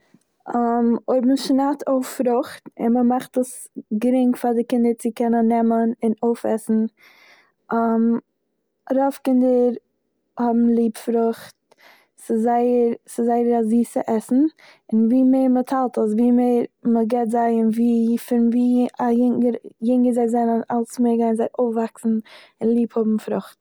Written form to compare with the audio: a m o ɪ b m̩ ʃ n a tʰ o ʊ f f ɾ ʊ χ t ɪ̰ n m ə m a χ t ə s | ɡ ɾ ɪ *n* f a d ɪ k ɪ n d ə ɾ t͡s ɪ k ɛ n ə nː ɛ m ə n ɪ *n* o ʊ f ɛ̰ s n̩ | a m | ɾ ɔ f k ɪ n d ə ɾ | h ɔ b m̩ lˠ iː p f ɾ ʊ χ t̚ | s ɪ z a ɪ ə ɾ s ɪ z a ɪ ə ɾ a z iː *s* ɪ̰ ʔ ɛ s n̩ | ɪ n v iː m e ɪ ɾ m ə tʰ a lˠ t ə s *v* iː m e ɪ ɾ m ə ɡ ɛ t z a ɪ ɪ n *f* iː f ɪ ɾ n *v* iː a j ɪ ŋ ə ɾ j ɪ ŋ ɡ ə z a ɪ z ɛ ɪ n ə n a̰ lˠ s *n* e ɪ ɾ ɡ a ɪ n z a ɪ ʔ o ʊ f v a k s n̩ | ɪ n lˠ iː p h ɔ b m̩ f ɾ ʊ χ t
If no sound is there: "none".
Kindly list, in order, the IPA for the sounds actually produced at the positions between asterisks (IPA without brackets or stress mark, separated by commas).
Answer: ŋ, n, s, v, v, v, m